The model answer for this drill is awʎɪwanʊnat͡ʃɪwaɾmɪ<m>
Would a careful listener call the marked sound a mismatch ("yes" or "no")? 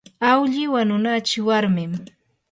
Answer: no